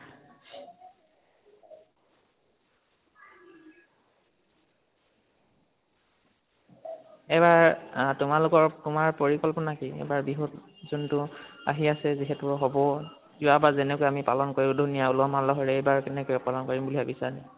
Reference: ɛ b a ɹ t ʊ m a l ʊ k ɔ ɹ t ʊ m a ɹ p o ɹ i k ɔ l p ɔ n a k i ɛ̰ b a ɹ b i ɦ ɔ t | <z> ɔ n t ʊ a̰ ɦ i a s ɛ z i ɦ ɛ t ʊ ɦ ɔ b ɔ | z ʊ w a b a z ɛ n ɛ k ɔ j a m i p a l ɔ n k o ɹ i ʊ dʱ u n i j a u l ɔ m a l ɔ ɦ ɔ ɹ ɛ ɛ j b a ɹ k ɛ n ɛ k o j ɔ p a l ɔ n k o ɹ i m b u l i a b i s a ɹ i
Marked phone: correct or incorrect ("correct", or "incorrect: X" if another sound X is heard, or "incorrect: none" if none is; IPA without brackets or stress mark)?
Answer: correct